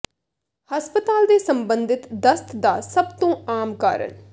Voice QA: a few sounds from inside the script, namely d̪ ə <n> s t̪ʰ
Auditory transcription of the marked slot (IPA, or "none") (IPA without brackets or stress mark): none